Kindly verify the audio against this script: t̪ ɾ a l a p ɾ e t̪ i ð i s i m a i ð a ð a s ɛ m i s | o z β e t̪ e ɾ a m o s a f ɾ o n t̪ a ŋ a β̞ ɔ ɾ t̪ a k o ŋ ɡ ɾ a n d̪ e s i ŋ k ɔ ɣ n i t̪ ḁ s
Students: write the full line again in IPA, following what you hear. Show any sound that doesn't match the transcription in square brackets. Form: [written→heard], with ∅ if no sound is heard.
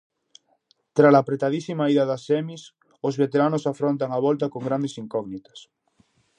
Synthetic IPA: t̪ ɾ a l a p ɾ e t̪ [i→a] ð i s i m a i ð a ð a s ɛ m i s | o z β e t̪ e ɾ a [m→n] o s a f ɾ o n t̪ a ŋ a β̞ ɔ [ɾ→l] t̪ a k o ŋ ɡ ɾ a n d̪ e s i ŋ k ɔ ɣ n i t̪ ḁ s